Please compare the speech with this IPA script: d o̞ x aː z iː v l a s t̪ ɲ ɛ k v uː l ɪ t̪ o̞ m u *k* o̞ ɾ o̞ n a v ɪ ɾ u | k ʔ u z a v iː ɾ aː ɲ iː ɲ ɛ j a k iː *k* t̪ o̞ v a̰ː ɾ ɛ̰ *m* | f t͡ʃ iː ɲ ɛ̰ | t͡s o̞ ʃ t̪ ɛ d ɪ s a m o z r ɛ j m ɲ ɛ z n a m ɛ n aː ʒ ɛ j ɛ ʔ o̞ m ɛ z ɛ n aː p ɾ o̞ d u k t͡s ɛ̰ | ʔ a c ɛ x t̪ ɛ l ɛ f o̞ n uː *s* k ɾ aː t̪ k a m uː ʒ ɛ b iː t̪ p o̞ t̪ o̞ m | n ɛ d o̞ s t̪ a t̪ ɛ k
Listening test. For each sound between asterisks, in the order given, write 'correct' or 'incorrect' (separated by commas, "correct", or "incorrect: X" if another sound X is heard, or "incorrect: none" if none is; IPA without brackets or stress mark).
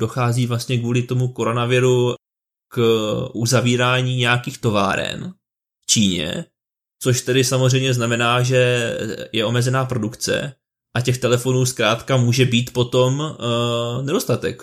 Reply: correct, incorrect: x, incorrect: n, correct